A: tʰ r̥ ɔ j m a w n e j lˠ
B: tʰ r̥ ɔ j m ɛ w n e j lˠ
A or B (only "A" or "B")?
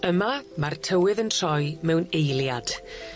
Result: B